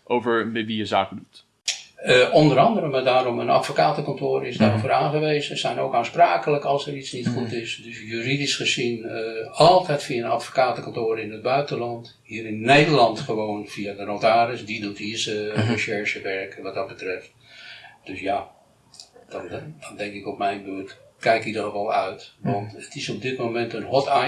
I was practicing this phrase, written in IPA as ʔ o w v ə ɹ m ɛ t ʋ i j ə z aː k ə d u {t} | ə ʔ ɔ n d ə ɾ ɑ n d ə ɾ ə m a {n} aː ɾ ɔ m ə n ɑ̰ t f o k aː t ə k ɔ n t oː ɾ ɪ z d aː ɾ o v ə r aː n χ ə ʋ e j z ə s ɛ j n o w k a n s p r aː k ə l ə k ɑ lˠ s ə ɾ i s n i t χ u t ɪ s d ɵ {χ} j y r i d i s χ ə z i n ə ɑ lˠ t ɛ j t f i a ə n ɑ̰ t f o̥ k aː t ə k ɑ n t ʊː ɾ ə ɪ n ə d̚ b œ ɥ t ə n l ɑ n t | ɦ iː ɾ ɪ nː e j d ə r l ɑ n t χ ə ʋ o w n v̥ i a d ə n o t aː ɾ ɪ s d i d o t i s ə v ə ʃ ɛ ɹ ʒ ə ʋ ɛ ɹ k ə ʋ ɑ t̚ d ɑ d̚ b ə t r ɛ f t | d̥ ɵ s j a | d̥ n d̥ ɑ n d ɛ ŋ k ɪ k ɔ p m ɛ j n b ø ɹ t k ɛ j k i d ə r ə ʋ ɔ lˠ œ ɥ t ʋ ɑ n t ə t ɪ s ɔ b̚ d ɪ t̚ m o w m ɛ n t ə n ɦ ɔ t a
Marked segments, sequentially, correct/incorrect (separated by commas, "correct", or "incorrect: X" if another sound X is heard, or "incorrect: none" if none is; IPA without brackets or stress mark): correct, incorrect: d, incorrect: s